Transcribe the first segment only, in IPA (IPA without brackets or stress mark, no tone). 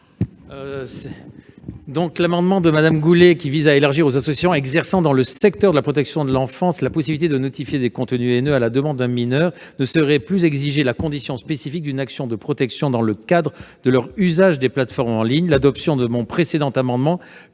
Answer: d̪